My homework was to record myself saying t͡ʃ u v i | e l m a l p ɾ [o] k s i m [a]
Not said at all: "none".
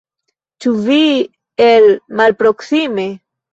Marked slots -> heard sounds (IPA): o, e

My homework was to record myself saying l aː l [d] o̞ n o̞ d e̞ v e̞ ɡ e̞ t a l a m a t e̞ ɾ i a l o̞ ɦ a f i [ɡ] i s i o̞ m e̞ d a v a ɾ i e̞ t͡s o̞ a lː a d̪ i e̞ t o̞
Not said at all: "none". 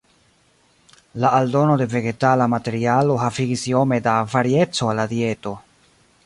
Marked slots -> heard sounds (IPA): d, ɡ

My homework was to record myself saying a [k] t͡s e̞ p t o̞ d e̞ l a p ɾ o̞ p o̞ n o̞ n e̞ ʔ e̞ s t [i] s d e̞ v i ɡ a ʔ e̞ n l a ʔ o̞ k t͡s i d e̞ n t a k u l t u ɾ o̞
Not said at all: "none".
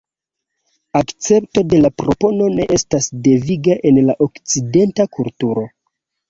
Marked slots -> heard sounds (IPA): k, a

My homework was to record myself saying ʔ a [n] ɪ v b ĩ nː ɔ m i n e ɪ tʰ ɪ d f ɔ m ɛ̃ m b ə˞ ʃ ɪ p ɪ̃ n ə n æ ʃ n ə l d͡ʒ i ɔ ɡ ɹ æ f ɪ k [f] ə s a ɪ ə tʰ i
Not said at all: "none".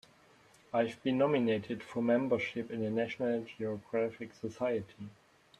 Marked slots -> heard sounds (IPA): none, s

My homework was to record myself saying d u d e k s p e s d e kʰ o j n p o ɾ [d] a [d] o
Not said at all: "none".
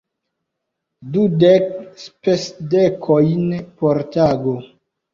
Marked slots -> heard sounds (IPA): t, ɡ

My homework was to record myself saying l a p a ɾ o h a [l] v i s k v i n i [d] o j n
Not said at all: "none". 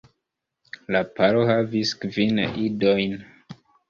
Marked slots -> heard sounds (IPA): none, d

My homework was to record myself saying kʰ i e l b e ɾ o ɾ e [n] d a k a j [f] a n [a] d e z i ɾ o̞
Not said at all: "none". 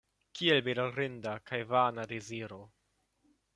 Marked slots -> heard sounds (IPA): n, v, a

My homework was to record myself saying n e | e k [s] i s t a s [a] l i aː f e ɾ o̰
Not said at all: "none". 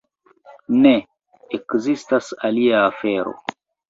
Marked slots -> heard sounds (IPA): z, a

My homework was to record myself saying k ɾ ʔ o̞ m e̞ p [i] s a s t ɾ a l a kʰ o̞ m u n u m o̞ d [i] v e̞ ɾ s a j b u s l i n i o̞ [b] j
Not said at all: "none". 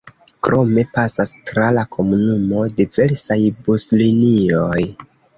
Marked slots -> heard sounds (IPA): a, i, none

